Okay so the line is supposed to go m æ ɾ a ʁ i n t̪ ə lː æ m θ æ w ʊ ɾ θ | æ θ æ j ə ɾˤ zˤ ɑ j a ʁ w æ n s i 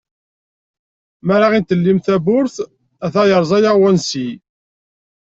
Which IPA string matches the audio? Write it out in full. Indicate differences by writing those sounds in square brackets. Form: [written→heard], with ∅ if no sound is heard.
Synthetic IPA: m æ ɾ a ʁ i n t̪ ə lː [æ→i] m θ æ [w→b] ʊ ɾ θ | æ θ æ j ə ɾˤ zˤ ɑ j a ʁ w æ n s i